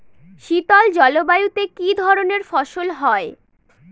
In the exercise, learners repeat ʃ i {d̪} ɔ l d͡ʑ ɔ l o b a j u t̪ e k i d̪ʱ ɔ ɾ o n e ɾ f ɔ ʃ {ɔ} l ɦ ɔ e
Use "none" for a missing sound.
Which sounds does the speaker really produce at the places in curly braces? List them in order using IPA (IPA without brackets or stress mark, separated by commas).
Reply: t̪, o